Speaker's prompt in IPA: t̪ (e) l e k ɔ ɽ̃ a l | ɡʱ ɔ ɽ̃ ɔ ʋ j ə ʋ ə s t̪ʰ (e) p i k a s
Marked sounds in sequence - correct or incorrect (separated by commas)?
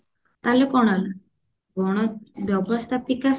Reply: incorrect, incorrect